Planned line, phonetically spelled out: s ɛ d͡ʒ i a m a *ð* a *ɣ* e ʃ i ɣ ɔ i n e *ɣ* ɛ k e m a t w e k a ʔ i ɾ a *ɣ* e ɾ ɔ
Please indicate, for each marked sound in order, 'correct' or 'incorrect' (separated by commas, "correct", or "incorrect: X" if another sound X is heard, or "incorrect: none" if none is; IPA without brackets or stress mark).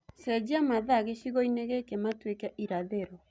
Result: correct, correct, correct, incorrect: ð